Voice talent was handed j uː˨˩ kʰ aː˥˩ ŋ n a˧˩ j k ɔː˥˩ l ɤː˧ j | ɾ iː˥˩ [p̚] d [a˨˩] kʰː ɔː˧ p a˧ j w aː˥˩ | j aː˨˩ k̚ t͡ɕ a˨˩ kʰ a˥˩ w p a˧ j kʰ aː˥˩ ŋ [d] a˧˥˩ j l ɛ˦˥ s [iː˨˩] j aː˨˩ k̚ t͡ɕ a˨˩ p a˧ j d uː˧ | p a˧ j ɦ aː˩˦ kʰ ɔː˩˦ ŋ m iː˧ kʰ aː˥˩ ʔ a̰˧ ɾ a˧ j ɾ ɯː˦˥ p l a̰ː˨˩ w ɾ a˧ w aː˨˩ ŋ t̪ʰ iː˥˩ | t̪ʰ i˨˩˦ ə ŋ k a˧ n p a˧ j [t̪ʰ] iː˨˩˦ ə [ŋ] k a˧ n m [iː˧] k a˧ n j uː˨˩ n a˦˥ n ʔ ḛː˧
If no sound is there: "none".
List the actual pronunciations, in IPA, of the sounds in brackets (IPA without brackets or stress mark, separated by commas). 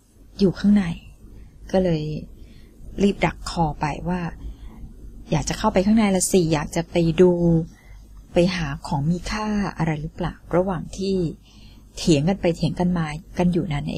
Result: p̚, a˨˩, n, iː˨˩, t̪ʰ, ŋ, aː˧